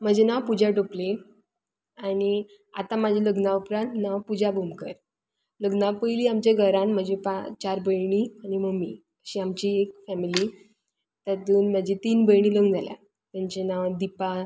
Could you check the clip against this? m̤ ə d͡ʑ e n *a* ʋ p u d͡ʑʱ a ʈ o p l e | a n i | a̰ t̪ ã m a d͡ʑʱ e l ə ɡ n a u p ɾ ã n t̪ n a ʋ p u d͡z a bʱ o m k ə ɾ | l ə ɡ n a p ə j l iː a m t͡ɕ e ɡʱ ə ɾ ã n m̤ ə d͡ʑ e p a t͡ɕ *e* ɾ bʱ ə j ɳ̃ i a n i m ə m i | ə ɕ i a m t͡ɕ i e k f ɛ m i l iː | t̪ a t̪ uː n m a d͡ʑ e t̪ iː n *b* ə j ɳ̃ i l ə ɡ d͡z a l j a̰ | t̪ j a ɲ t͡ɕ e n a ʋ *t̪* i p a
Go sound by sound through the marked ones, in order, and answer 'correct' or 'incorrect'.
correct, incorrect: a, correct, incorrect: d̪

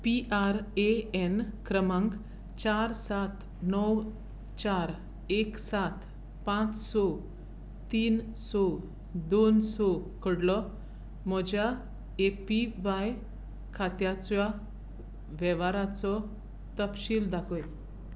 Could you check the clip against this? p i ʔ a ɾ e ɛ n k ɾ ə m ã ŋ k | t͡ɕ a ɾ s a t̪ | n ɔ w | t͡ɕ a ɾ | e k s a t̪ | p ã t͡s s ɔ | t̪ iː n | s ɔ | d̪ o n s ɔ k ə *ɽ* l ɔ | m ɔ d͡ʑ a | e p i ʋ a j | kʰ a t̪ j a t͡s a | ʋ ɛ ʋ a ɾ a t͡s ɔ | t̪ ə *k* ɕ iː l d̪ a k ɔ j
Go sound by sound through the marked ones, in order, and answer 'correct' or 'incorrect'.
correct, incorrect: p

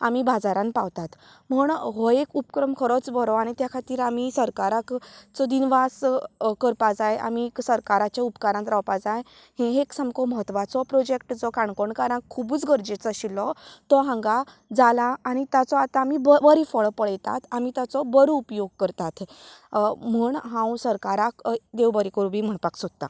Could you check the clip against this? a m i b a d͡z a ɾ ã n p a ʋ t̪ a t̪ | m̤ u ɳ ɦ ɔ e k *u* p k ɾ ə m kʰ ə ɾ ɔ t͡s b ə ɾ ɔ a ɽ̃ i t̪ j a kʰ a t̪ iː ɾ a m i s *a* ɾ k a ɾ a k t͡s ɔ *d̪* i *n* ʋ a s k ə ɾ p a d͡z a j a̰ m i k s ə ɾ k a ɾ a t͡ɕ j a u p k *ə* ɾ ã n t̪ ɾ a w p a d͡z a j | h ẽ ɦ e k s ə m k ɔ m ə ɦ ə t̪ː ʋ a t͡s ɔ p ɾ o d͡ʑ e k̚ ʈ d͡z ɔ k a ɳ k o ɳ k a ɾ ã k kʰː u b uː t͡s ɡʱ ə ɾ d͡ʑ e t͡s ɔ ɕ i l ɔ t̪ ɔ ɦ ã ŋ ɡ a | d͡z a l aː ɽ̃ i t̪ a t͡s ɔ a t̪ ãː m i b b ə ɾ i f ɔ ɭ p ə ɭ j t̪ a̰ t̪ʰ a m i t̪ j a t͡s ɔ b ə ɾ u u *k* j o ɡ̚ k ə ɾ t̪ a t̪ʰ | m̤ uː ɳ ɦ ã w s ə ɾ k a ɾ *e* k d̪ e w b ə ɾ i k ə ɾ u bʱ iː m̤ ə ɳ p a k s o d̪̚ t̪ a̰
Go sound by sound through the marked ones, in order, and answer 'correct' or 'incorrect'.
correct, incorrect: ə, correct, correct, incorrect: a, incorrect: p, incorrect: a

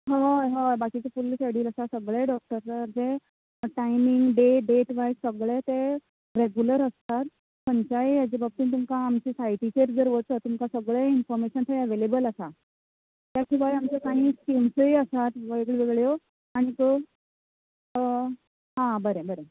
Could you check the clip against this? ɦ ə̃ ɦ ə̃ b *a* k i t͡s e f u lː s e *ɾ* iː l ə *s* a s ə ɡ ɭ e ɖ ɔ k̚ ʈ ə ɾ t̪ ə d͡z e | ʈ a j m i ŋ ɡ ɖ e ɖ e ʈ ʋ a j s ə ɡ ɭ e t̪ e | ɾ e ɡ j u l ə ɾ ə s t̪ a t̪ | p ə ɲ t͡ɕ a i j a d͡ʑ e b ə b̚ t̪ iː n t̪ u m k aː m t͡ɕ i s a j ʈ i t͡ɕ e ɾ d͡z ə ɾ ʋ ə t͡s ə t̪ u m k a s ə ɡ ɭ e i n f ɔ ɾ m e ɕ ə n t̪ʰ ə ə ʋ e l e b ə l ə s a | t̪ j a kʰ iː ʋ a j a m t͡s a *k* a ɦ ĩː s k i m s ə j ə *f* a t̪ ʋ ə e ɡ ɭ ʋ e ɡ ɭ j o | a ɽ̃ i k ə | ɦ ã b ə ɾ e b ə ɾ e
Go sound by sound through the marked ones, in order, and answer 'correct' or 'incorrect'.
correct, incorrect: ɽ, correct, correct, incorrect: s

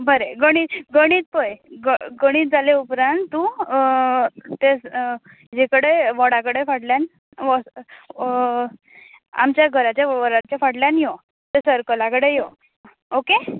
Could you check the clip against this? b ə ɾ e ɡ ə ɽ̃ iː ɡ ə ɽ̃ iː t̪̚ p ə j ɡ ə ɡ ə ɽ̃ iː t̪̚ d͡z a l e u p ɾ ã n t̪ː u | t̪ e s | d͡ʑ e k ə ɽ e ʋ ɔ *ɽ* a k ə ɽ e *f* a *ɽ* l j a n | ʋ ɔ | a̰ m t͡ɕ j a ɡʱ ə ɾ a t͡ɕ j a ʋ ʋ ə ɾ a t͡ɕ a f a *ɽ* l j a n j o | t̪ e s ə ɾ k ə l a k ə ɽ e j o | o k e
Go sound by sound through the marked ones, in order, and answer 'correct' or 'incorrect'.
correct, correct, correct, correct

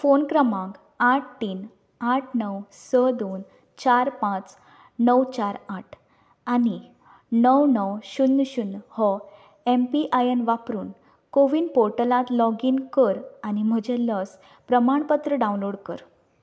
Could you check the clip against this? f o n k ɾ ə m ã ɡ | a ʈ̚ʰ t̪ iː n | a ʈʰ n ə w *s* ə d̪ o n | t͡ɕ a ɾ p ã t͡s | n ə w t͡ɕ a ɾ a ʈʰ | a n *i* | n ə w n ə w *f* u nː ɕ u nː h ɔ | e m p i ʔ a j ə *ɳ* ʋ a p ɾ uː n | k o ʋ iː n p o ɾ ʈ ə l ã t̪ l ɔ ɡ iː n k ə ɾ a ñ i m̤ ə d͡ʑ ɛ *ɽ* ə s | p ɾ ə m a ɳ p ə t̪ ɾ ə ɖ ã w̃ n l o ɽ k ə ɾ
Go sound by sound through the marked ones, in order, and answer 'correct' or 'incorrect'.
correct, correct, incorrect: ɕ, incorrect: n, incorrect: l

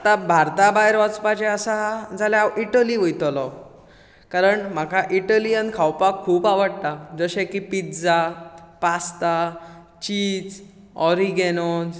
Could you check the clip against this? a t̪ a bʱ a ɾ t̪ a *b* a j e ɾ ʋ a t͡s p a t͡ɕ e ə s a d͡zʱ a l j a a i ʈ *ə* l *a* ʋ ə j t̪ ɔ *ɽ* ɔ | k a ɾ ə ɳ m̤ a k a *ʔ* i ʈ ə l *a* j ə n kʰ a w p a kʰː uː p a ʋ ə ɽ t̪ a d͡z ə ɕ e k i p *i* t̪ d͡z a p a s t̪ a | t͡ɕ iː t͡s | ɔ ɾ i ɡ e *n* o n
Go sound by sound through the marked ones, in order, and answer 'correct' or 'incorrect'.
correct, correct, incorrect: i, incorrect: l, correct, incorrect: i, correct, correct

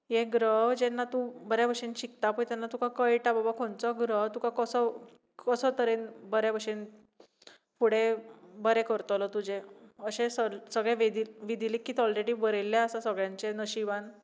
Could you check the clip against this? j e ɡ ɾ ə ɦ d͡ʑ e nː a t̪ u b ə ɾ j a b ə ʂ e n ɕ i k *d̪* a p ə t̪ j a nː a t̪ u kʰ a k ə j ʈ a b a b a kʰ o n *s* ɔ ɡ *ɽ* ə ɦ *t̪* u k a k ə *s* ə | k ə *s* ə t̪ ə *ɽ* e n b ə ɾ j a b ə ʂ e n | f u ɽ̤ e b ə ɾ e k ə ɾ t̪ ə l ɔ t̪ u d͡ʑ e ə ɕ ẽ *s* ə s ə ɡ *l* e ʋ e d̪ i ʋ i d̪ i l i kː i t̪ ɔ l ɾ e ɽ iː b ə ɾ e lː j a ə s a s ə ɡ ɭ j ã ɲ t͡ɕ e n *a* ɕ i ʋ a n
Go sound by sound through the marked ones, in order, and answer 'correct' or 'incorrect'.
incorrect: t̪, incorrect: t͡s, incorrect: ɾ, correct, correct, correct, incorrect: ɾ, correct, incorrect: ɭ, incorrect: ə

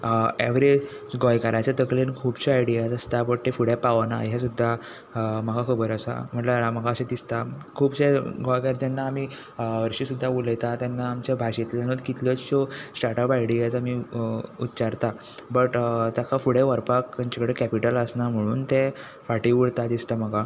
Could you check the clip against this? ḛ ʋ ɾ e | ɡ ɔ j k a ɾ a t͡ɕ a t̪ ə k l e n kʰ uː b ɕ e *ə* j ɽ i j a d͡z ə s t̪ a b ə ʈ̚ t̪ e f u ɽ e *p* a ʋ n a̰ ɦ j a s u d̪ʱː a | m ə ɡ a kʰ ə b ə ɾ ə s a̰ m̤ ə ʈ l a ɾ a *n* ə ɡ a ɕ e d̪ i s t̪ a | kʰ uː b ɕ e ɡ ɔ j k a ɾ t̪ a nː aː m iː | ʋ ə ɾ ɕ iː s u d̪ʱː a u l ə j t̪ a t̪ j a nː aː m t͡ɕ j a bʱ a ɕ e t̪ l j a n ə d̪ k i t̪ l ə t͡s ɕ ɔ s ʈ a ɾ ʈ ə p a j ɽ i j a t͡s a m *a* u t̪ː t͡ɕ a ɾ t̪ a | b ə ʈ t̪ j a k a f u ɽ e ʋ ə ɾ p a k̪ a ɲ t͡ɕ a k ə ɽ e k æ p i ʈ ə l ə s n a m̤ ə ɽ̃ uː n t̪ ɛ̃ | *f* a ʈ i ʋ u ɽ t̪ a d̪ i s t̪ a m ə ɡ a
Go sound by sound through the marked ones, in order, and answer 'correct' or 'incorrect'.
incorrect: a, correct, incorrect: m, incorrect: i, correct

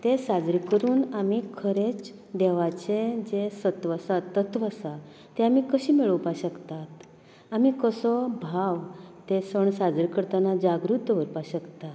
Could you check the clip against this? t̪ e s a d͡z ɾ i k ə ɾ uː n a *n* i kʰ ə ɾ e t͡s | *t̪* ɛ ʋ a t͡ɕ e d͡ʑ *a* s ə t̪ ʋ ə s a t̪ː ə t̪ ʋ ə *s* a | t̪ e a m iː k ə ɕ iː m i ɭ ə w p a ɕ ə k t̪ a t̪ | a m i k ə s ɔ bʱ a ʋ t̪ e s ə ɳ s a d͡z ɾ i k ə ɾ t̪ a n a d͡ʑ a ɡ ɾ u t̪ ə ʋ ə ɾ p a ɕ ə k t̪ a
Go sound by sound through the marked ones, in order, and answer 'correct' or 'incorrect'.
incorrect: m, incorrect: d̪, incorrect: e, correct

